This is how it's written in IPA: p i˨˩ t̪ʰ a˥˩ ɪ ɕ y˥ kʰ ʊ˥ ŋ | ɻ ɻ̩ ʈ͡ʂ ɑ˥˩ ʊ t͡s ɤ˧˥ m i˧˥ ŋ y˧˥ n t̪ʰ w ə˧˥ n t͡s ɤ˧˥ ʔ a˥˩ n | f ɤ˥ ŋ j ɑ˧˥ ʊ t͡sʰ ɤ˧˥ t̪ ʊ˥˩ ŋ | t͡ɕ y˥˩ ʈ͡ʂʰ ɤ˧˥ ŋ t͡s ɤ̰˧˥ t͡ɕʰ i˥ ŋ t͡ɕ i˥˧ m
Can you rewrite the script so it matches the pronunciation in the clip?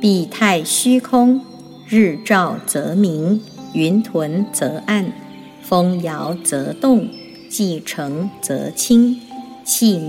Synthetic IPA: p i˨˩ t̪ʰ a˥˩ ɪ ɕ y˥ kʰ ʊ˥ ŋ | ɻ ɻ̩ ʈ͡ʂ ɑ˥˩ ʊ t͡s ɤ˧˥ m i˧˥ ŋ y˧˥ n t̪ʰ w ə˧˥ n t͡s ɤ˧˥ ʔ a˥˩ n | f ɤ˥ ŋ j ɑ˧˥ ʊ t͡s ɤ˧˥ t̪ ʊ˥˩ ŋ | t͡ɕ i˥˩ ʈ͡ʂʰ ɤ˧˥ ŋ t͡s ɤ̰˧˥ t͡ɕʰ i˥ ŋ t͡ɕʰ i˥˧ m